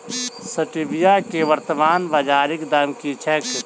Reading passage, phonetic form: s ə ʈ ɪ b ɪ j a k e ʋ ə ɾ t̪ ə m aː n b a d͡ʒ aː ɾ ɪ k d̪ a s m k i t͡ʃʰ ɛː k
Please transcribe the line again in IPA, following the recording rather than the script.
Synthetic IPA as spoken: s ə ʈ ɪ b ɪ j a k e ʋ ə ɾ t̪ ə m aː n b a d͡ʒ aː ɾ ɪ k d̪ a m k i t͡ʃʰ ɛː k